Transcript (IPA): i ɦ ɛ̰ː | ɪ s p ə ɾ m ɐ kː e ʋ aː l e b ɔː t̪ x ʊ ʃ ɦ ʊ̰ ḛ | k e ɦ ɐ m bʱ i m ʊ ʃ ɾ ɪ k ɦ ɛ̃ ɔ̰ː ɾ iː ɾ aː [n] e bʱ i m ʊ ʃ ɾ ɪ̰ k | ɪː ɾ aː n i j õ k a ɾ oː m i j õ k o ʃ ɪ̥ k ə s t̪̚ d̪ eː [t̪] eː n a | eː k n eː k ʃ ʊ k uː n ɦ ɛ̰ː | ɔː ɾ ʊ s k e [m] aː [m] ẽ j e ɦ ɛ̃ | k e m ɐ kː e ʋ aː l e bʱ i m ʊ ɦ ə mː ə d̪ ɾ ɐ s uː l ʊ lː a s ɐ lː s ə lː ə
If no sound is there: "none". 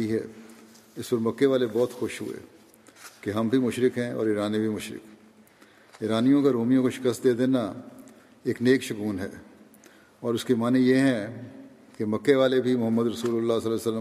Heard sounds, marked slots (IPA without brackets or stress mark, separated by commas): n, d̪, m, n